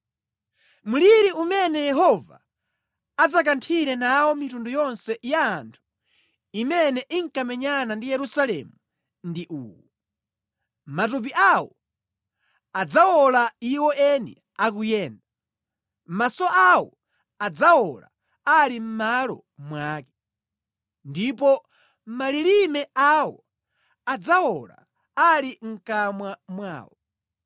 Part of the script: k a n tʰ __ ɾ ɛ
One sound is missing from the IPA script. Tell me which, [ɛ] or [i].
i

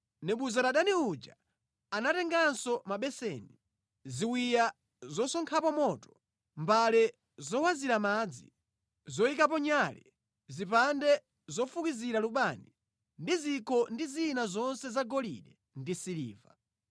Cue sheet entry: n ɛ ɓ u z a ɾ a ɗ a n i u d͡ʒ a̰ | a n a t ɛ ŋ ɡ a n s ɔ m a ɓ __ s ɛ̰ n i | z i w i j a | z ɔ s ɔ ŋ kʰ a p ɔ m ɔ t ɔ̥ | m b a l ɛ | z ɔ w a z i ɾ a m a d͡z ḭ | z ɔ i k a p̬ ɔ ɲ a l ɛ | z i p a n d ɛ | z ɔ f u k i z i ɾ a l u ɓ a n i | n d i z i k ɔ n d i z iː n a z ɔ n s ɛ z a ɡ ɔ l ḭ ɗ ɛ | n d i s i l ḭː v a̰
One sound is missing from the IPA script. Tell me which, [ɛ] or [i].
ɛ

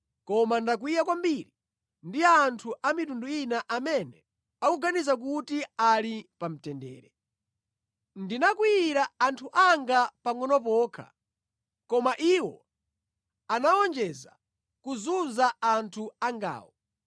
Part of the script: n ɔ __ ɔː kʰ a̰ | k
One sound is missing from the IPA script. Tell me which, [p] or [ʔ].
p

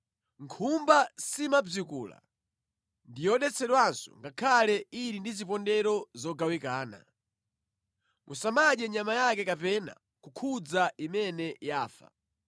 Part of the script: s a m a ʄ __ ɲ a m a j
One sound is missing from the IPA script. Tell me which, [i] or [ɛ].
ɛ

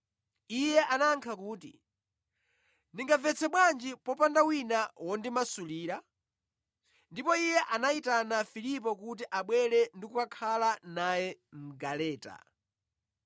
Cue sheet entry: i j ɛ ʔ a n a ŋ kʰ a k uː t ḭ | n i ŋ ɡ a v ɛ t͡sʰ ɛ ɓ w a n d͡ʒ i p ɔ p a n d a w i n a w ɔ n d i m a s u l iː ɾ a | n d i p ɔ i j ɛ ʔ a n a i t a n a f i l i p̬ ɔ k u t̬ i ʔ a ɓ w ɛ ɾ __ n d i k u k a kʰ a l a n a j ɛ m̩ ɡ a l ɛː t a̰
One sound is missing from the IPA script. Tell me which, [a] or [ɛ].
ɛ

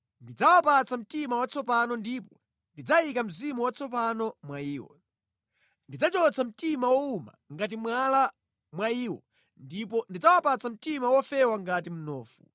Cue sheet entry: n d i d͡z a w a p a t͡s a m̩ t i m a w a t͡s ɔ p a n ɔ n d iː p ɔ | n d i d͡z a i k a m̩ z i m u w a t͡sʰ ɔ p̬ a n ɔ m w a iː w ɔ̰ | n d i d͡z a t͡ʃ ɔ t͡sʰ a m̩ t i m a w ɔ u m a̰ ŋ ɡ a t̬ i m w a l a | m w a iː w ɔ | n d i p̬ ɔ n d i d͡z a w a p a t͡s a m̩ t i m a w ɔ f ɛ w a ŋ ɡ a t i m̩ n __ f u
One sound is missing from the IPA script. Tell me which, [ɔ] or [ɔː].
ɔː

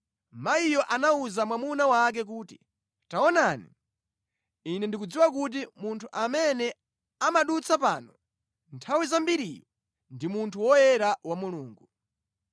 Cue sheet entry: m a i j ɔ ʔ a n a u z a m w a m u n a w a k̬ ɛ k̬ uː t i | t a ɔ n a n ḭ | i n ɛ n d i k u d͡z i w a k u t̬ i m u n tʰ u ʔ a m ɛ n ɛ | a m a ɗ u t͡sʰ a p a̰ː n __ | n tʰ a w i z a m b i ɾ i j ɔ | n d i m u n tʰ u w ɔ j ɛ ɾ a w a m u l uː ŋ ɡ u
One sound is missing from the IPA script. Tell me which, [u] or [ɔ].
ɔ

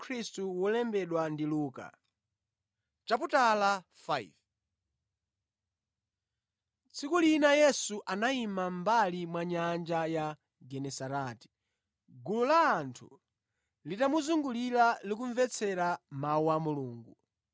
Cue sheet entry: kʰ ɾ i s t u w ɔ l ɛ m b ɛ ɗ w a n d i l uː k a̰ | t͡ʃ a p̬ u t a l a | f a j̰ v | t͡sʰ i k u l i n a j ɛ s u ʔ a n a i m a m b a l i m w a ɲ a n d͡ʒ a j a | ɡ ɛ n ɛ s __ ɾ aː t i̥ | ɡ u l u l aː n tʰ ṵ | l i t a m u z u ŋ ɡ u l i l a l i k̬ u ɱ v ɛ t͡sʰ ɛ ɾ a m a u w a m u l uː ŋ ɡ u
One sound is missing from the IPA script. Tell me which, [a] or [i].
a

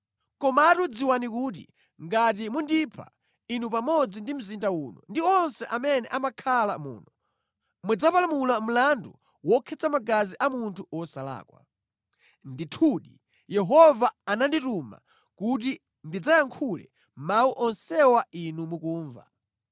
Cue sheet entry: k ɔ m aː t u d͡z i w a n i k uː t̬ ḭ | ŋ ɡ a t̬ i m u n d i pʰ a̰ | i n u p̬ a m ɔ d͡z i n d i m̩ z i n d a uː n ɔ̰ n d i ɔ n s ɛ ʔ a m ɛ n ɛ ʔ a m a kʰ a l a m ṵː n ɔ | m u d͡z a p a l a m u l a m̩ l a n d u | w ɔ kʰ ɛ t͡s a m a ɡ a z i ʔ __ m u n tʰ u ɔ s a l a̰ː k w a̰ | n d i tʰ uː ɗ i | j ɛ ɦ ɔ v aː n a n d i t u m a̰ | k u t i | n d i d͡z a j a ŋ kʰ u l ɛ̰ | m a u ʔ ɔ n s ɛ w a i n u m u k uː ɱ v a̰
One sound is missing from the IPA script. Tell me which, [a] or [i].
a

